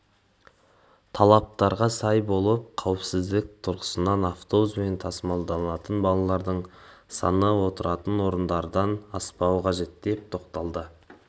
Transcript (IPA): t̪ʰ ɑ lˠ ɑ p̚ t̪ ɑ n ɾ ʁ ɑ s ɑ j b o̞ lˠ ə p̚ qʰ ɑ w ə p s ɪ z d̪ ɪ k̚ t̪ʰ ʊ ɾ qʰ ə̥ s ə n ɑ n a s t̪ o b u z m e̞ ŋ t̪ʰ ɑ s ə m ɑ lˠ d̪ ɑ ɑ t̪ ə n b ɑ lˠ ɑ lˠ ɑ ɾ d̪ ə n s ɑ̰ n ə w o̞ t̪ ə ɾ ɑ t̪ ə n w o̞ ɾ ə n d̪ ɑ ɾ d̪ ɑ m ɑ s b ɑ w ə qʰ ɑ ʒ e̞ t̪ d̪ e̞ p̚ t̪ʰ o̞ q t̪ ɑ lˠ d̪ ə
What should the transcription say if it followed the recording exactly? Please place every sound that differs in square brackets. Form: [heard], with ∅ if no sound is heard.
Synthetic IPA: t̪ʰ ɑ lˠ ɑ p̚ t̪ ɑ [∅] ɾ ʁ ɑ s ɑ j b o̞ lˠ ə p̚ qʰ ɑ w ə p s ɪ z d̪ ɪ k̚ t̪ʰ ʊ ɾ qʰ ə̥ s ə n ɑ n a [f] t̪ o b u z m e̞ [n] t̪ʰ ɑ s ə m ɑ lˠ d̪ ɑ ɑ t̪ ə n b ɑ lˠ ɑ lˠ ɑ ɾ d̪ ə [ɴ] s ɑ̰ n ə w o̞ t̪ ə ɾ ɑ t̪ ə n w o̞ ɾ ə n d̪ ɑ ɾ d̪ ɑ [n] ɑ s [p] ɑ w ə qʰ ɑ ʒ e̞ t̪ d̪ e̞ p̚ t̪ʰ o̞ q t̪ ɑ lˠ d̪ ə